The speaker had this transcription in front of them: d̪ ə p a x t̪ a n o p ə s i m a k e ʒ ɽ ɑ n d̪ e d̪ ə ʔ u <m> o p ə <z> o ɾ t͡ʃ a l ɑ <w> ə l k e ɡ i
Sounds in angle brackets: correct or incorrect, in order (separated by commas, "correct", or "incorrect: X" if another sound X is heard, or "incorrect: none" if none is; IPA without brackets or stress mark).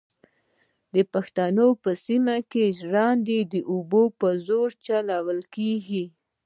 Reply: incorrect: b, correct, correct